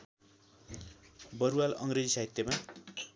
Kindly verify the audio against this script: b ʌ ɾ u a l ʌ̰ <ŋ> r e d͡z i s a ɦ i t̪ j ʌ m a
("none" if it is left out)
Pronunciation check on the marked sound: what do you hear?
ŋ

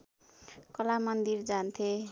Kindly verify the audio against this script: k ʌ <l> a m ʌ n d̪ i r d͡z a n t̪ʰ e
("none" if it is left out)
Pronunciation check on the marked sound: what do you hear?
l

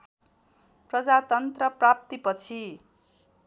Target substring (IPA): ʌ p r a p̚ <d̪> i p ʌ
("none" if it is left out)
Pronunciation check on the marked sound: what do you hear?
t̪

